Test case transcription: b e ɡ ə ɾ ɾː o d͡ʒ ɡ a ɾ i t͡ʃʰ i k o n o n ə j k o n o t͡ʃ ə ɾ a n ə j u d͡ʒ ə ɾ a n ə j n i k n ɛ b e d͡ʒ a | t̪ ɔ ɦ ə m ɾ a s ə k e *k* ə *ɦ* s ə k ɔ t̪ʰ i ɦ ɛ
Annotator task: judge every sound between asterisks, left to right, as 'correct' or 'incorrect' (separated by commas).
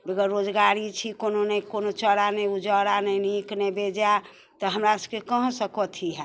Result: correct, correct